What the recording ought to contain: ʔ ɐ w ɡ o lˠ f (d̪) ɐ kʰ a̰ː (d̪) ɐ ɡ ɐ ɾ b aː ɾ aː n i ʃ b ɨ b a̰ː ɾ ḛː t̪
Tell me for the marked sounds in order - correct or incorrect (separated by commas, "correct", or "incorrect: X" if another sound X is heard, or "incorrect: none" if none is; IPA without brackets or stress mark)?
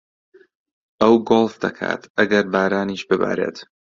correct, incorrect: t̪